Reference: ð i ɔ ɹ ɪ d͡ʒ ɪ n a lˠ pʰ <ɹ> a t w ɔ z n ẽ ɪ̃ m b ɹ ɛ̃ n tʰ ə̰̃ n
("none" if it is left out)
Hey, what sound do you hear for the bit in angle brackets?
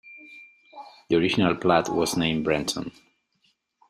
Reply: l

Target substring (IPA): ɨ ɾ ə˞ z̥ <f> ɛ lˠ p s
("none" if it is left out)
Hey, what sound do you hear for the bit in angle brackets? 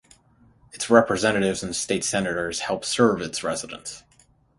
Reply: h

